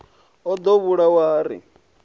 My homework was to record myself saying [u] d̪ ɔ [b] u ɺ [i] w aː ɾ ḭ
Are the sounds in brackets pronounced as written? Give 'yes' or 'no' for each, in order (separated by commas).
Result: no, no, no